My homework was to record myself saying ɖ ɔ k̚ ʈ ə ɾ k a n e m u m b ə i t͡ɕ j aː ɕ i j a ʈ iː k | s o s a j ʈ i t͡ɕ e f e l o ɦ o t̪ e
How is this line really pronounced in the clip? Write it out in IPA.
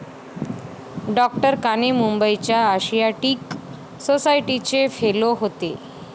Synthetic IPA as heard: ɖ ɔ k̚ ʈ ə ɾ k a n e m u m b ə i t͡ɕ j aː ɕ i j a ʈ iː k | s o s a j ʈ i t͡ɕ e f e l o ɦ o t̪ e